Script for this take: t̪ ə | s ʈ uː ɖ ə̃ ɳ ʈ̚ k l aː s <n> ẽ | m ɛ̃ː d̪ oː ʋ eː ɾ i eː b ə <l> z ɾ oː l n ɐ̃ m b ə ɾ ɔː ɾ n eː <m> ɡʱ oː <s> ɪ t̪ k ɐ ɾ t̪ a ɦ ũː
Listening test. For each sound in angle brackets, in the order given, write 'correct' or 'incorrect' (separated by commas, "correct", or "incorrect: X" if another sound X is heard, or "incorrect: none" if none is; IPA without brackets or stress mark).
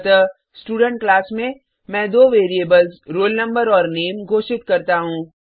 incorrect: m, correct, correct, incorrect: ʃ